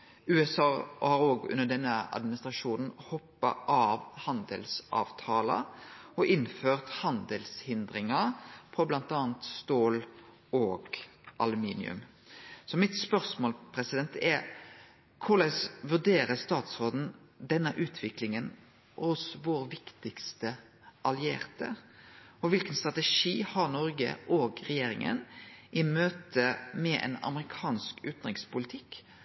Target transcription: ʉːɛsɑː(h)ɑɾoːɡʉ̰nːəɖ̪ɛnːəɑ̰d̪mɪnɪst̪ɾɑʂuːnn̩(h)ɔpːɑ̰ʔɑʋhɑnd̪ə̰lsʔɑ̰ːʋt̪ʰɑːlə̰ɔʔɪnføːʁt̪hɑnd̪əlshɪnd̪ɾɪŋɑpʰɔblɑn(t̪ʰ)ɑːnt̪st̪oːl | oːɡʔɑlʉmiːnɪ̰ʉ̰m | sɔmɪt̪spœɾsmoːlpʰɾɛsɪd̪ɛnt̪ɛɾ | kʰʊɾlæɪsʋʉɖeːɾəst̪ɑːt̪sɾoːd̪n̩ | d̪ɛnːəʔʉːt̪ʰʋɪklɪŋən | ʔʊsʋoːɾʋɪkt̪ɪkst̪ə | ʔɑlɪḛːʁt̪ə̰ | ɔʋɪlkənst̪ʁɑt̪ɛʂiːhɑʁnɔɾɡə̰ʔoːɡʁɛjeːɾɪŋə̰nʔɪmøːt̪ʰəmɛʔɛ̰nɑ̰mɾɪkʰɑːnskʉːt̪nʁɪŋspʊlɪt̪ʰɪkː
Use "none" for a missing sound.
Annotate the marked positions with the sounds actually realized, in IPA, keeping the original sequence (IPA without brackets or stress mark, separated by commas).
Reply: h, h, t̪